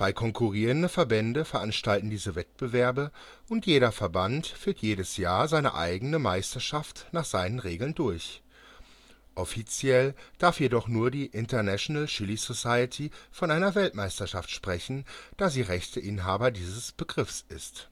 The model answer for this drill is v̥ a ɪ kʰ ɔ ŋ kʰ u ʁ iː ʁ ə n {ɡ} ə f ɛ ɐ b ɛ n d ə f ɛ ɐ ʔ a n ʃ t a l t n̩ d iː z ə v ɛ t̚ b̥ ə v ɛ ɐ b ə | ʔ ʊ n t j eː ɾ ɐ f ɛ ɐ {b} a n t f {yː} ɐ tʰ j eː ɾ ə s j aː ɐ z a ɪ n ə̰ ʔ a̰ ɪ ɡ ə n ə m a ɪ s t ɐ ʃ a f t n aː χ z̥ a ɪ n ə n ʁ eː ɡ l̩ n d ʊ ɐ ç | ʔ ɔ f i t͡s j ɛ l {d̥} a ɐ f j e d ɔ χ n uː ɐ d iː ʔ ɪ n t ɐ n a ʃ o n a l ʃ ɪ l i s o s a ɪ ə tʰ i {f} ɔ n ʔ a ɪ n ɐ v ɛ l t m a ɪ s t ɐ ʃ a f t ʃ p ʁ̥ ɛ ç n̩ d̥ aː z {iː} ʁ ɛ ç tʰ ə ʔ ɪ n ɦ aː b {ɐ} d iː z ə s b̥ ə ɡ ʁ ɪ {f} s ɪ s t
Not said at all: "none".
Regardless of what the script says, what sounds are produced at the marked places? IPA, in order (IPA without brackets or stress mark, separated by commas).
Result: d, b, yː, d̥, f, iː, ɐ, f